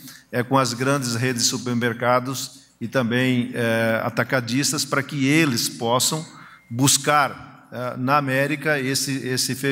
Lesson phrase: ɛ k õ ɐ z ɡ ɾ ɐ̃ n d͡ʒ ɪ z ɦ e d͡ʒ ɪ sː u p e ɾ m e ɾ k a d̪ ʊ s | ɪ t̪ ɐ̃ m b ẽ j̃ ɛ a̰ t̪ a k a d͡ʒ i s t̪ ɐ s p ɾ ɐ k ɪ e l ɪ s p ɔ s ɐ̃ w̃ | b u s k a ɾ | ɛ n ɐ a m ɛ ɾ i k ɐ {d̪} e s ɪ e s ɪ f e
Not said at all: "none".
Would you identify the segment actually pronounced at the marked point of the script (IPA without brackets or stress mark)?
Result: none